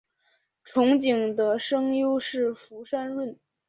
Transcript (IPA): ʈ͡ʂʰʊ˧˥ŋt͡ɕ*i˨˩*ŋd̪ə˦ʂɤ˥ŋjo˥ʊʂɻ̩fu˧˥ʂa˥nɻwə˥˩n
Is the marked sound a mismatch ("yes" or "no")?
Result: no